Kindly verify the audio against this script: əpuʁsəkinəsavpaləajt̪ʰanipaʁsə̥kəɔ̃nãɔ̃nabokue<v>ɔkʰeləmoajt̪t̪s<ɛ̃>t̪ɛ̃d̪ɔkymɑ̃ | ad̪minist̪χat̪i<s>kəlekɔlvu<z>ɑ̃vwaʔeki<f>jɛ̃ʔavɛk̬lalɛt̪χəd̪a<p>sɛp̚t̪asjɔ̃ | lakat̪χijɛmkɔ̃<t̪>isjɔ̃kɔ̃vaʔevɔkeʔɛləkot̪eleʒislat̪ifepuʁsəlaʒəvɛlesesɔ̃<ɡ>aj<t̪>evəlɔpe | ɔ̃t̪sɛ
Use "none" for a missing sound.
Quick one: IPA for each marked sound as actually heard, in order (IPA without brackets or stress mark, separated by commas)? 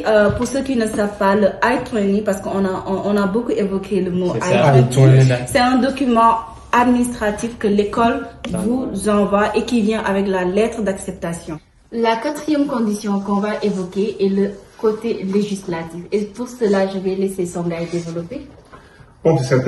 v, ɛ, f, z, v, k, d̪, ɡ, d̪